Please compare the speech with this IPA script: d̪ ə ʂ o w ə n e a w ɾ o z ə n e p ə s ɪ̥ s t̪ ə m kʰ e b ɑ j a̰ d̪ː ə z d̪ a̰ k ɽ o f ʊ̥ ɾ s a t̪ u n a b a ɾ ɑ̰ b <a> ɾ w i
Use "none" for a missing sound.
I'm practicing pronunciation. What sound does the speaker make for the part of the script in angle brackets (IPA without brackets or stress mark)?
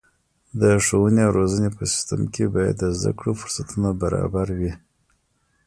a